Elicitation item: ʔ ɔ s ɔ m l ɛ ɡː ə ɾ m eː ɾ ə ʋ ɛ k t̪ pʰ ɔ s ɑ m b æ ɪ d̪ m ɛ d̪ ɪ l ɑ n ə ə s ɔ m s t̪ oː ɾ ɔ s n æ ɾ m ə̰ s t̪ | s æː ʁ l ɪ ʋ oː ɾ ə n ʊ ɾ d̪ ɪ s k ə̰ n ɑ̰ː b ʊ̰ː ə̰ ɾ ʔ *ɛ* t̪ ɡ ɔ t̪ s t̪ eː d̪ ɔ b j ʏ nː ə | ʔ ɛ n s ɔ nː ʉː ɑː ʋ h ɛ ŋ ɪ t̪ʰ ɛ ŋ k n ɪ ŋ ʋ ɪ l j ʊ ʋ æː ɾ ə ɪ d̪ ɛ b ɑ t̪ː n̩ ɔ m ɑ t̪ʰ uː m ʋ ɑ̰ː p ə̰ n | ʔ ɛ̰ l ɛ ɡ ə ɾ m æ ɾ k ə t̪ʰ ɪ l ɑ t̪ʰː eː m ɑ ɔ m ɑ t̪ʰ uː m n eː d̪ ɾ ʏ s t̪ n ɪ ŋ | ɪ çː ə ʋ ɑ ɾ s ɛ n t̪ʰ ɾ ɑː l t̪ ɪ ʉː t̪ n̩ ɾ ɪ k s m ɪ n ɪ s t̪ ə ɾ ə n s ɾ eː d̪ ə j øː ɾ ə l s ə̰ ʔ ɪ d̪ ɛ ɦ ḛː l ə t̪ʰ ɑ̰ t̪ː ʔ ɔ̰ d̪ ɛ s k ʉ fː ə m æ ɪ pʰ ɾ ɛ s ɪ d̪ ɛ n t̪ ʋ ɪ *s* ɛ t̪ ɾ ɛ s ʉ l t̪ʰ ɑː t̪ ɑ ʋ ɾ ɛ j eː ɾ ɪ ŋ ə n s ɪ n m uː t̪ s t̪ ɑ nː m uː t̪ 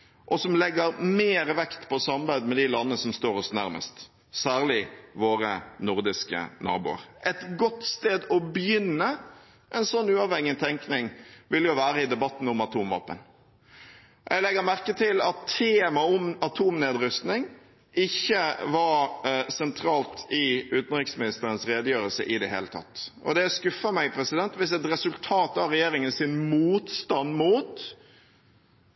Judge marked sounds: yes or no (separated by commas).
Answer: yes, yes